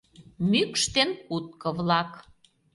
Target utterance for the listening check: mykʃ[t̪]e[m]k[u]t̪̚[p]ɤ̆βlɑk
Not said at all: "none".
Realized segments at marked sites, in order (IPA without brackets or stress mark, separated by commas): t̪, n, u, k